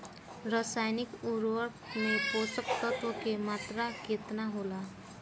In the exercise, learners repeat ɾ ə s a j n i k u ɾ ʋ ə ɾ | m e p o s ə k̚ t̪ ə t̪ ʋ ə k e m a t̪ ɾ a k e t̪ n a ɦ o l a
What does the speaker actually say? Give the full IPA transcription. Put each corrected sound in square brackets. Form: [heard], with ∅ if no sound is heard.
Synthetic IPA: ɾ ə s a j n i k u ɾ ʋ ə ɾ | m e p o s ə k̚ t̪ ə t̪ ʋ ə k e m a t̪ ɾ a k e t̪ n a ɦ o l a